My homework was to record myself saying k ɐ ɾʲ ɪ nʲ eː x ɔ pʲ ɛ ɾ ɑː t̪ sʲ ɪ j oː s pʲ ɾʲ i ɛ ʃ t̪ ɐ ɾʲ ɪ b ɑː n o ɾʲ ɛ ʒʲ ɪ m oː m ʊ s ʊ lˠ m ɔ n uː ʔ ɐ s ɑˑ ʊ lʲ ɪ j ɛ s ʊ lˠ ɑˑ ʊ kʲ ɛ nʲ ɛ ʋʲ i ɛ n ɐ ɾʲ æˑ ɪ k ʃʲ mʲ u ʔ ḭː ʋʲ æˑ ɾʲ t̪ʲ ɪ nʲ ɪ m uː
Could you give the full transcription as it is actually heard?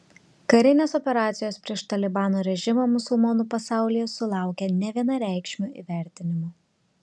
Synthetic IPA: k ɐ ɾʲ ɪ nʲ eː s ɔ pʲ ɛ ɾ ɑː t̪ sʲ ɪ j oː s pʲ ɾʲ i ɛ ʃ t̪ ɐ lʲ ɪ b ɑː n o ɾʲ ɛ ʒʲ ɪ m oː m ʊ s ʊ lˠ m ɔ n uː p ɐ s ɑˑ ʊ lʲ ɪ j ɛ s ʊ lˠ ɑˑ ʊ kʲ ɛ nʲ ɛ ʋʲ i ɛ n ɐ ɾʲ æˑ ɪ k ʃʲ mʲ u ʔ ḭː ʋʲ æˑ ɾʲ t̪ʲ ɪ nʲ ɪ m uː